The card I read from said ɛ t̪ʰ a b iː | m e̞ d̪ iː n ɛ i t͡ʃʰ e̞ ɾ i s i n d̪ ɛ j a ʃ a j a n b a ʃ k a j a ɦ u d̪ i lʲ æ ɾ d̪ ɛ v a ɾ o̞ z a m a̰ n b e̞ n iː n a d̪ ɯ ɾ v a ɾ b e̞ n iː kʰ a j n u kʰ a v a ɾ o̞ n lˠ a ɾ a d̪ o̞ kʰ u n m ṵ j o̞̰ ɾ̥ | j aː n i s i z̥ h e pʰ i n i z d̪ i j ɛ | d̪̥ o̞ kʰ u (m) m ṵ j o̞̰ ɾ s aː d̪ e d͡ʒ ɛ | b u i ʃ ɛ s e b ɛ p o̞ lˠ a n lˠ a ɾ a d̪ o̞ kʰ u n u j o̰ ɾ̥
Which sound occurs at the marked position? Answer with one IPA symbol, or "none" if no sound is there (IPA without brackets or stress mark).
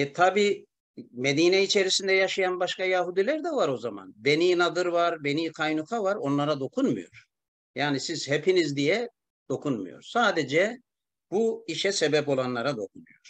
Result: n